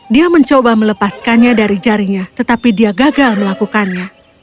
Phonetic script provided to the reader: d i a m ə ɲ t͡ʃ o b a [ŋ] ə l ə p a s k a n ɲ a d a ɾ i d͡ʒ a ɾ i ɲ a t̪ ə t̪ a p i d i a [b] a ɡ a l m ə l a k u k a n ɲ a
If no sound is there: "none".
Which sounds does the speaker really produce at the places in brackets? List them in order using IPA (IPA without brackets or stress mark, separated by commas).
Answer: m, ɡ